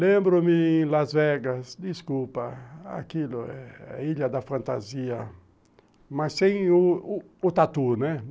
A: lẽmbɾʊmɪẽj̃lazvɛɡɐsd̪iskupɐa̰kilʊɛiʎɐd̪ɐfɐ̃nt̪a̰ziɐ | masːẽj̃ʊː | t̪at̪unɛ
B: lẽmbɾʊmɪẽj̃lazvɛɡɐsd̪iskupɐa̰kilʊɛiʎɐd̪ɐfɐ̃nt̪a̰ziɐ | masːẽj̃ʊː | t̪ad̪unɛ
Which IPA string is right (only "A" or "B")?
A